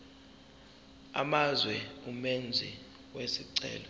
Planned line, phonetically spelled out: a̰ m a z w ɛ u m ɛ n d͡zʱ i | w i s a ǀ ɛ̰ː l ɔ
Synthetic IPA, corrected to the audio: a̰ m a z w ɛ u m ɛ n d͡zʱ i | w e s i ǀ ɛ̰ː l ɔ